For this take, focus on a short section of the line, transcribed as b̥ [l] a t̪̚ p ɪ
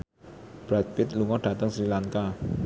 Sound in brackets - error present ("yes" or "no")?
yes